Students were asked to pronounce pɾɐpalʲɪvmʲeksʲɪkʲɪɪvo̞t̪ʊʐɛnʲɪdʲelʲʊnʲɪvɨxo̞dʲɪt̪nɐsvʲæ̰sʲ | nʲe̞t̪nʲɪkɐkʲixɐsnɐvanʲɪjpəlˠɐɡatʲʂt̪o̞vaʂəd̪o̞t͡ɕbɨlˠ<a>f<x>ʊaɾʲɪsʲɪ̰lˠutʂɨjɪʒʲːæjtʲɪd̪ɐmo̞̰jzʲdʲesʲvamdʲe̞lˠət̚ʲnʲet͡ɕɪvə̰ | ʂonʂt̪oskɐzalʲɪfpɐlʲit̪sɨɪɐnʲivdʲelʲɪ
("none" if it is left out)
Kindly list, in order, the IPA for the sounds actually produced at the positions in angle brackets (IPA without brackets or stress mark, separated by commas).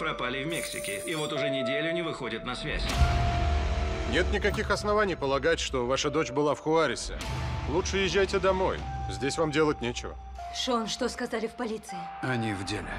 a, x